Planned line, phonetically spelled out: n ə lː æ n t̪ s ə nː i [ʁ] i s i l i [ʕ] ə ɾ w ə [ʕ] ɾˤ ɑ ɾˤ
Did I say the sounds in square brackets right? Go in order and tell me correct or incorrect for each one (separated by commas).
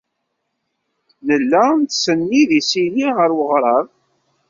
incorrect, incorrect, incorrect